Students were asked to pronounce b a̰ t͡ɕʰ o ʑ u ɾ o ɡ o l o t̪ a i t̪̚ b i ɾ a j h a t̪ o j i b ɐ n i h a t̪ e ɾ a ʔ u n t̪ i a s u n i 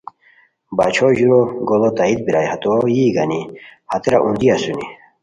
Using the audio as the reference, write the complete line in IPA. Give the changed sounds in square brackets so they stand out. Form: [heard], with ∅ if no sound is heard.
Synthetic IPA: b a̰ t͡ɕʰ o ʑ u ɾ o ɡ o l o t̪ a i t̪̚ b i ɾ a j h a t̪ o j i [ɡ] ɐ n i h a t̪ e ɾ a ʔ u n [d̪] i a s u n i